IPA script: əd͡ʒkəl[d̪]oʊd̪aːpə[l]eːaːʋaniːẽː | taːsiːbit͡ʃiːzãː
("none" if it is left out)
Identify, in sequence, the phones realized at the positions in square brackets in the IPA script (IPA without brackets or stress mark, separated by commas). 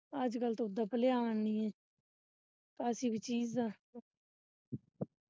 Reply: t̪, l